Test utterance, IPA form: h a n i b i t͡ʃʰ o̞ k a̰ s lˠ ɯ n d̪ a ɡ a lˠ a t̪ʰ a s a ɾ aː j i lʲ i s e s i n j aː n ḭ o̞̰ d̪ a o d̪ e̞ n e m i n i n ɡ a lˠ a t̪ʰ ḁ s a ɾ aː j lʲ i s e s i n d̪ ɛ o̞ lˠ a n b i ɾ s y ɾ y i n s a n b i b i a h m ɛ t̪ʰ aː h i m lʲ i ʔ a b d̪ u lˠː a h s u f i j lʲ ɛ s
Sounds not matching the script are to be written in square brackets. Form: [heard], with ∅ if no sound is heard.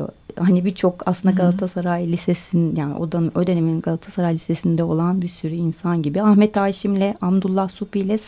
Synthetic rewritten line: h a n i b i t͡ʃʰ o̞ k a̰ s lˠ ɯ n d̪ a ɡ a lˠ a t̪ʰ a s a ɾ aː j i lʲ i s e s i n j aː n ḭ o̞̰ d̪ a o d̪ e̞ n e m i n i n ɡ a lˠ a t̪ʰ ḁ s a ɾ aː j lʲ i s e s i n d̪ ɛ o̞ lˠ a n b i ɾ s y ɾ y i n s a n [ɟ] i b i a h m ɛ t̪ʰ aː [ʃ] i m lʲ [ɛ] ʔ a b d̪ u lˠː a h s u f i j lʲ ɛ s